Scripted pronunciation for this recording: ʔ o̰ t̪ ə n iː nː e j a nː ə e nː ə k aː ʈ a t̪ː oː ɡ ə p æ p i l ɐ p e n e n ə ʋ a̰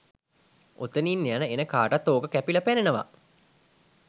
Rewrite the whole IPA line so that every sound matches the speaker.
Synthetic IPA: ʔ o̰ t̪ ə n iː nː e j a n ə e n ə k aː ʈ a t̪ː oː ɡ ə k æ p i l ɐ p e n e n ə ʋ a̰